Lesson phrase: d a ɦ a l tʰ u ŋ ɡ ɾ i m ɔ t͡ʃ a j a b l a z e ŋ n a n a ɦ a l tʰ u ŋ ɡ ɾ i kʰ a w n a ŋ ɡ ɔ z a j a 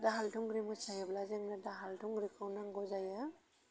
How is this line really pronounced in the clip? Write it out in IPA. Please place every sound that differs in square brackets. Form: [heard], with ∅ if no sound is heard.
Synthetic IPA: d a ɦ a l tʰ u ŋ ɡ ɾ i m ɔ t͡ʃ a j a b l a z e ŋ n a [d] a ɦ a l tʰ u ŋ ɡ ɾ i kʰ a w n a ŋ ɡ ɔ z a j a